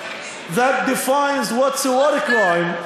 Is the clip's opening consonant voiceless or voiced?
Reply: voiced